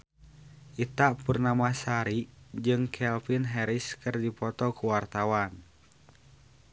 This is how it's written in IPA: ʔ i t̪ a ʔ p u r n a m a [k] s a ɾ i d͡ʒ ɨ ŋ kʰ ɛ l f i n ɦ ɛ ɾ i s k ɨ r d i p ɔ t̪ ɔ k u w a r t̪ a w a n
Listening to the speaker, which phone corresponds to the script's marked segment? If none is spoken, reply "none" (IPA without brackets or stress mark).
none